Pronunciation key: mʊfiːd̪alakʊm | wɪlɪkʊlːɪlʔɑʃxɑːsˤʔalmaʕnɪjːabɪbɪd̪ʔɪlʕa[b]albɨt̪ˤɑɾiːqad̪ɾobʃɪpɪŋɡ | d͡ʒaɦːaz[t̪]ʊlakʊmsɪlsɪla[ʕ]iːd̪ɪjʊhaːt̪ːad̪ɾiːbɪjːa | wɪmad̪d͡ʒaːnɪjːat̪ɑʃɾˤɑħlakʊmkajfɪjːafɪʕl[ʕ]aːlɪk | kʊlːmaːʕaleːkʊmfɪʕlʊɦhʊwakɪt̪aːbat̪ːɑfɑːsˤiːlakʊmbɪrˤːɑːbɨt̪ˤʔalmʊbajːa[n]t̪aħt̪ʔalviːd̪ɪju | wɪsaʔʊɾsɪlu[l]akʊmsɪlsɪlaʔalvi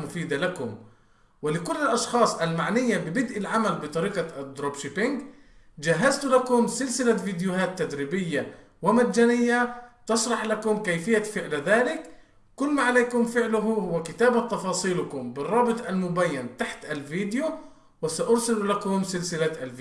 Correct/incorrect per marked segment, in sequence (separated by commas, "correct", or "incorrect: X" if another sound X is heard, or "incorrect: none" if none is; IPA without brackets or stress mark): incorrect: m, correct, incorrect: v, incorrect: ð, correct, correct